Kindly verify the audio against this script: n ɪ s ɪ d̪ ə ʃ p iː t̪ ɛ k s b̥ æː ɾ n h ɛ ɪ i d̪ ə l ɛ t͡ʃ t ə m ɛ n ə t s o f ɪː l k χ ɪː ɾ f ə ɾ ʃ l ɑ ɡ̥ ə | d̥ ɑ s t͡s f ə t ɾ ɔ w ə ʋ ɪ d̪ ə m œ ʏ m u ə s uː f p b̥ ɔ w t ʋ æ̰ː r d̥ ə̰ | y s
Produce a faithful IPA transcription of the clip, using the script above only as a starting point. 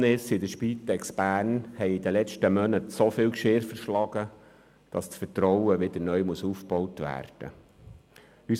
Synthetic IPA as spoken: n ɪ s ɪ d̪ ə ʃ p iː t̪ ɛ k s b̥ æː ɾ n h ɛ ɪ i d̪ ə l ɛ t͡ʃ t ə m œ n ə t s o f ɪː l k ʃ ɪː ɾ f ə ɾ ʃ l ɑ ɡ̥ ə | d̥ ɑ s t͡s f ə t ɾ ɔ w ə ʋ ɪ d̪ ə n œ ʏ m u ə s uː f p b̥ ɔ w t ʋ æ̰ː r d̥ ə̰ | y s